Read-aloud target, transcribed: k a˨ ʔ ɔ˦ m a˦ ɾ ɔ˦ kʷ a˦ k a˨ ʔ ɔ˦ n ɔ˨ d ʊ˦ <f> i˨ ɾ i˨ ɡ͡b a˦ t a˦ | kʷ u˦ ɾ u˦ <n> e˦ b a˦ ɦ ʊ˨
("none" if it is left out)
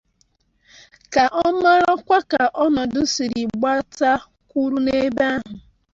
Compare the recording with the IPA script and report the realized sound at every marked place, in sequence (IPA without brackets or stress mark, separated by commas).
s, n